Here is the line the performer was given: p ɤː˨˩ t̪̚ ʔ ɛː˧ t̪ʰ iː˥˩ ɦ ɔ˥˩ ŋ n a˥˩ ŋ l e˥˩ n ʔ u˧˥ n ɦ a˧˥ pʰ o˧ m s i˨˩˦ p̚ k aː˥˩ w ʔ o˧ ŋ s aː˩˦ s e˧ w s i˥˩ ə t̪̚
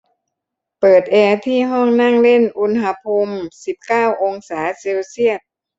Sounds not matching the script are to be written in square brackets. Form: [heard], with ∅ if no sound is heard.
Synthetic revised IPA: p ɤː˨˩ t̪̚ ʔ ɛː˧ t̪ʰ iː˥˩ ɦ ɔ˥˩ ŋ n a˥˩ ŋ l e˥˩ n ʔ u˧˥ n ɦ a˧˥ pʰ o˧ m s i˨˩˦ p̚ k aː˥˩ w ʔ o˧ ŋ s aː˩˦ s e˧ w s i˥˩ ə t̪̚